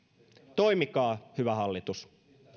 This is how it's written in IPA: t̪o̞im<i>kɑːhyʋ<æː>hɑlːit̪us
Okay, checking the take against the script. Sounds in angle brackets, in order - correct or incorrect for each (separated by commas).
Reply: correct, incorrect